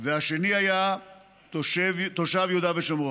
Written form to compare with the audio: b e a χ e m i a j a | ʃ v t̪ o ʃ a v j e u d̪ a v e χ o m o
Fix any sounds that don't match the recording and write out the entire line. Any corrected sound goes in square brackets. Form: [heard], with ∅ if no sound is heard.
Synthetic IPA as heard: [v] e a [ʃ] e [n] i a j a | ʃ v t̪ o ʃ a v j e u d̪ a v e [ʃ] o m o